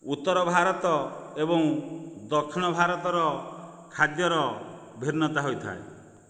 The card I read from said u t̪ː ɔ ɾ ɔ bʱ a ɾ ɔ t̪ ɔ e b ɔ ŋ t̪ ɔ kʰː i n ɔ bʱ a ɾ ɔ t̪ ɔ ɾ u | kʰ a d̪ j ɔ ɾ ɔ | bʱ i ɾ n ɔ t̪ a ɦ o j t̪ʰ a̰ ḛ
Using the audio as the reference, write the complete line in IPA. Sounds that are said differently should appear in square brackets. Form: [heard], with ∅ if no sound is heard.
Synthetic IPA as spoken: u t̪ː ɔ ɾ ɔ bʱ a ɾ ɔ t̪ ɔ e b ɔ ŋ [d̪] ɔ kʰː i n ɔ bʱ a ɾ ɔ t̪ ɔ ɾ [ɔ] | kʰ a d̪ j ɔ ɾ ɔ | bʱ i ɾ n ɔ t̪ a ɦ o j t̪ʰ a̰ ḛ